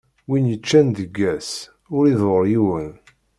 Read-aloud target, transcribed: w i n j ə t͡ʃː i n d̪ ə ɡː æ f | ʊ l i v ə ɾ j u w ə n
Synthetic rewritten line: w i n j ə t͡ʃː æ n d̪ ə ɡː æ s | ʊ ɾ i ð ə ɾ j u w ə n